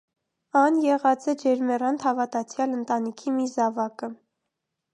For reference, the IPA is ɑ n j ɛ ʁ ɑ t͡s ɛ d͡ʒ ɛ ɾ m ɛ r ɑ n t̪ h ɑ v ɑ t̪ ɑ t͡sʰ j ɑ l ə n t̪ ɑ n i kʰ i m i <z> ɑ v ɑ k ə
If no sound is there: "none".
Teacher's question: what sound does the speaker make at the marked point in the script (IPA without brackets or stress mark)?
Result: z